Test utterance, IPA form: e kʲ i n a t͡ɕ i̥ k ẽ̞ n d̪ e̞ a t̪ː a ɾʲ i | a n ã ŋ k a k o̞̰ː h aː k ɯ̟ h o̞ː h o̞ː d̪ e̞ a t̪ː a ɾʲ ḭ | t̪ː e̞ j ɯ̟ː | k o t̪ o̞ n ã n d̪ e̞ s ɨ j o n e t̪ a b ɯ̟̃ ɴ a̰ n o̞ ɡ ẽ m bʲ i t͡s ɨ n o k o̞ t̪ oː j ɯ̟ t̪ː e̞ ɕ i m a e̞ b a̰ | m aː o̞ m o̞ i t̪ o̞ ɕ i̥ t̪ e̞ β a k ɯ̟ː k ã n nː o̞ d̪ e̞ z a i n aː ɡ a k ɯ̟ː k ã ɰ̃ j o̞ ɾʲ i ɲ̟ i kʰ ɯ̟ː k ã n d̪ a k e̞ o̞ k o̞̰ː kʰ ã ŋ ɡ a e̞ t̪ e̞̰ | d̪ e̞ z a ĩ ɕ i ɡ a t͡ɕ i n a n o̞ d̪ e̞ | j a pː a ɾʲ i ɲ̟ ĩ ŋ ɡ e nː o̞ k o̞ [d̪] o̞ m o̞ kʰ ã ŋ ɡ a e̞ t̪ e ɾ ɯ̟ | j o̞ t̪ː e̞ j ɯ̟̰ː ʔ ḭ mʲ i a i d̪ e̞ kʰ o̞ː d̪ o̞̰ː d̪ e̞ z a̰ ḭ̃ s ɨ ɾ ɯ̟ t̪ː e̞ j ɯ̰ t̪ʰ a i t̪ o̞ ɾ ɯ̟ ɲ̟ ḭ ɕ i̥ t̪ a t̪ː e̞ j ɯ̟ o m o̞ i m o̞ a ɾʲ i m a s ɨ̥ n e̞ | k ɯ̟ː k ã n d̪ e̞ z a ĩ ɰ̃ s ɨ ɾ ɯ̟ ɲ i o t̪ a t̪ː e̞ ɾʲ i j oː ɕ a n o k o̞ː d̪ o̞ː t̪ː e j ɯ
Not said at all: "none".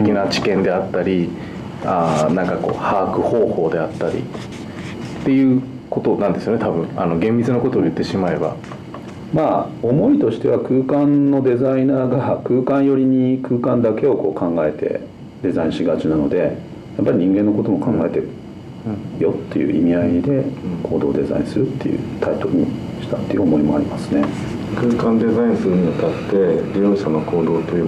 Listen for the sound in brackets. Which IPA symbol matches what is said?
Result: t̪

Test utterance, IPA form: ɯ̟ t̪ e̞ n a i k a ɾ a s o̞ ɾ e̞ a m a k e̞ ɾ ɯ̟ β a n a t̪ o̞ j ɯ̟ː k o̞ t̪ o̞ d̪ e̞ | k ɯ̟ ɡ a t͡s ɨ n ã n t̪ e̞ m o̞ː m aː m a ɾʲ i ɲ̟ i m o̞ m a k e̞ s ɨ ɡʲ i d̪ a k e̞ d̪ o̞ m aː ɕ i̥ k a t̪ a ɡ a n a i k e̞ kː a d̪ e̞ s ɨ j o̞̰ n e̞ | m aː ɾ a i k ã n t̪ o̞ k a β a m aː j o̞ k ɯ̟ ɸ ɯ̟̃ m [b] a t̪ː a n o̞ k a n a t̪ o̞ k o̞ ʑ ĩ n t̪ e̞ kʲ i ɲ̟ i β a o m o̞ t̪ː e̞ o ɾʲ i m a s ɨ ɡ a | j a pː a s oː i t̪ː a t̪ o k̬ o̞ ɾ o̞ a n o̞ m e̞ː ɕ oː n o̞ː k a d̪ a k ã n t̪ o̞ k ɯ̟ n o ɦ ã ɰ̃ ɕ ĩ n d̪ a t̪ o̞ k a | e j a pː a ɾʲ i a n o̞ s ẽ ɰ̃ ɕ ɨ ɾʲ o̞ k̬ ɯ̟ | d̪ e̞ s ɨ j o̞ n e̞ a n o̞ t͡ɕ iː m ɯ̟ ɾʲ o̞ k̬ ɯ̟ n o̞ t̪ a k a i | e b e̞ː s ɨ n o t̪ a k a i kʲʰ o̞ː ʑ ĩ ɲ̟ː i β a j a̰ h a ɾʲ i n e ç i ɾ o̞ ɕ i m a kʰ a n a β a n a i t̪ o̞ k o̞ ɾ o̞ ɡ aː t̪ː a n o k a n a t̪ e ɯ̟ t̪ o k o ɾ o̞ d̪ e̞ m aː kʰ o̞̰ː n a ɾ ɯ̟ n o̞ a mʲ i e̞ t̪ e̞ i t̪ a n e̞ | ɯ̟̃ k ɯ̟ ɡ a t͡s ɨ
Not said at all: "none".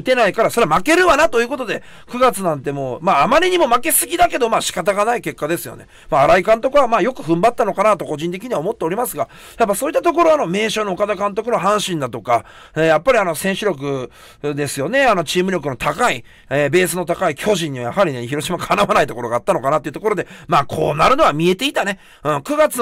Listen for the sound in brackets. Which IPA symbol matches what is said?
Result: b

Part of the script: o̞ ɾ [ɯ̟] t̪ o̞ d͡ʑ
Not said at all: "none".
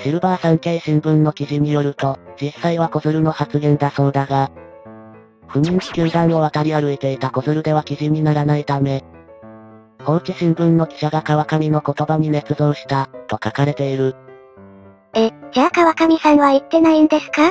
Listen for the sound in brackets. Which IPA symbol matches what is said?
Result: ɯ̟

